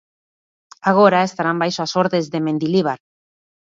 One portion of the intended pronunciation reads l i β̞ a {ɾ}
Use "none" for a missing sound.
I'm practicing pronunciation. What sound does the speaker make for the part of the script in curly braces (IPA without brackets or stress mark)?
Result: ɾ